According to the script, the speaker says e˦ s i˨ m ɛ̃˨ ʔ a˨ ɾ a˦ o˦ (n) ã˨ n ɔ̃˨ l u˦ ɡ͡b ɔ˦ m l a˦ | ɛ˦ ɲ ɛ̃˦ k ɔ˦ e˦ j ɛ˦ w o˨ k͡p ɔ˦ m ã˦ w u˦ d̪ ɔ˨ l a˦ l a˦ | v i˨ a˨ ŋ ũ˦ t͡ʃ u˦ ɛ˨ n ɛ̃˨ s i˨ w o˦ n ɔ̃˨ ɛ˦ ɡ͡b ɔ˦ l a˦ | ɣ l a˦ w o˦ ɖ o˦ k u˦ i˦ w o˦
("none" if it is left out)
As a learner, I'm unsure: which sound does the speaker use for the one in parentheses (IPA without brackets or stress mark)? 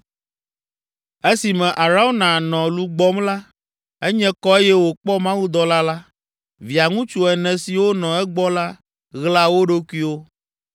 n